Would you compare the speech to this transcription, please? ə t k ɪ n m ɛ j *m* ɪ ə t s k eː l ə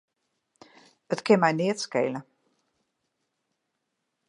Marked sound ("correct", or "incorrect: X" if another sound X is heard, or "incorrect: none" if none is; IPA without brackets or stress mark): incorrect: n